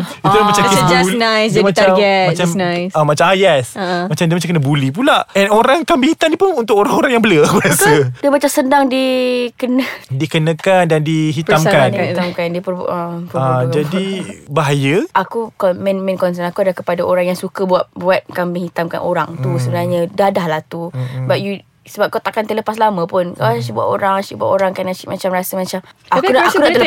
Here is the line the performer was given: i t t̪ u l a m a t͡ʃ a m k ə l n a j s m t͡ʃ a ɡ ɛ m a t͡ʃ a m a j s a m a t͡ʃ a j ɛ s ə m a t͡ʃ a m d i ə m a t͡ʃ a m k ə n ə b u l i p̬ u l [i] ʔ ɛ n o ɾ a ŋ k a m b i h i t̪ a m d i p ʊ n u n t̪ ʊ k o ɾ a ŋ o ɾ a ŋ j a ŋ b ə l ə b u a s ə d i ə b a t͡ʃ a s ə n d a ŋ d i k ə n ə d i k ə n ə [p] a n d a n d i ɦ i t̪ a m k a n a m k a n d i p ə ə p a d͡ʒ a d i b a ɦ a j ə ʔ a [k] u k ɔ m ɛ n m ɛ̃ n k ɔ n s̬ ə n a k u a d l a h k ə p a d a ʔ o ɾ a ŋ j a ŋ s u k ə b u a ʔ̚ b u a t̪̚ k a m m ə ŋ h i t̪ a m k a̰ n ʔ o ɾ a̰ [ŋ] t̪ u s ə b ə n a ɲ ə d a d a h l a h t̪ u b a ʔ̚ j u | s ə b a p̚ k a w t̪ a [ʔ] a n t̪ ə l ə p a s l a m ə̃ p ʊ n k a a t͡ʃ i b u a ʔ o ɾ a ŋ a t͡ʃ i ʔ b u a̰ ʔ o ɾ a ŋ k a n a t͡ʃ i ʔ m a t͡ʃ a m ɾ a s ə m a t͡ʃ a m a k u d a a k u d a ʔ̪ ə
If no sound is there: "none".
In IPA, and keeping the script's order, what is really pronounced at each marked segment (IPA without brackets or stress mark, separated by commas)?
a, k, k, ŋ, k